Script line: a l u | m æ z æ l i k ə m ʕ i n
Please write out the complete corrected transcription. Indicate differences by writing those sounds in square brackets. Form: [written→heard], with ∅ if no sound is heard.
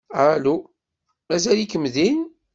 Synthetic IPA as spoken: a l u | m æ z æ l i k ə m [ʕ→ð] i n